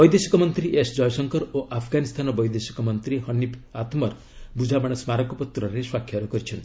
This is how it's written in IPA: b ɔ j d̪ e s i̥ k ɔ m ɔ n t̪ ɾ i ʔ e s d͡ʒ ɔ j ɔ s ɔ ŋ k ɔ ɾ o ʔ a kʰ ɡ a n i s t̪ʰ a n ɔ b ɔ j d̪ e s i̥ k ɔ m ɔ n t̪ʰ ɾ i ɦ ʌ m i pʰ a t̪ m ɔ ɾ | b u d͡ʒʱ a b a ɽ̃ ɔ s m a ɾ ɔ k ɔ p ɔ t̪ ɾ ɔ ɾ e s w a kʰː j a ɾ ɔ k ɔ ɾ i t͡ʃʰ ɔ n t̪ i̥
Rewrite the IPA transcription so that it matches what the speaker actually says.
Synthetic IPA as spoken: b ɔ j d̪ e s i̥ k ɔ m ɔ n t̪ ɾ i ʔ e s d͡ʒ ɔ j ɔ s ɔ ŋ k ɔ ɾ o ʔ a pʰ ɡ a n i s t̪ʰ a n ɔ b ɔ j d̪ e s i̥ k ɔ m ɔ n t̪ ɾ i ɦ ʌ n i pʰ a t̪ m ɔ ɾ | b u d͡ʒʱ a b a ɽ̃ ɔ s m a ɾ ɔ k ɔ p ɔ t̪ ɾ ɔ ɾ e s w a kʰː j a ɾ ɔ k ɔ ɾ i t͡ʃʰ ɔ n t̪ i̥